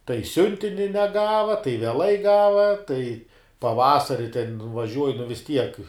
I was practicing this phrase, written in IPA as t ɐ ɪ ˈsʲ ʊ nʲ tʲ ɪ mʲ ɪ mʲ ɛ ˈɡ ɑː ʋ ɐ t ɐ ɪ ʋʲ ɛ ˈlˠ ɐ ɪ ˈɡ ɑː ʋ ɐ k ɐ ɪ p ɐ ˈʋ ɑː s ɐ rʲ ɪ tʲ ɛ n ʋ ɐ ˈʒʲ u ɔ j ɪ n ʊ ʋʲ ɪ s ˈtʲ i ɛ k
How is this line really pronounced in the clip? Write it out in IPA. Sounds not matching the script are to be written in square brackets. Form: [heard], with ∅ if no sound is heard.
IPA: t ɐ ɪ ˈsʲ ʊ nʲ tʲ ɪ [nʲ] ɪ [nʲ] ɛ ˈɡ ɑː ʋ ɐ t ɐ ɪ ʋʲ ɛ ˈlˠ ɐ ɪ ˈɡ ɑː ʋ ɐ [t] ɐ ɪ p ɐ ˈʋ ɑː s ɐ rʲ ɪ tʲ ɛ n ʋ ɐ ˈʒʲ u ɔ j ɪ n ʊ ʋʲ ɪ s ˈtʲ i ɛ k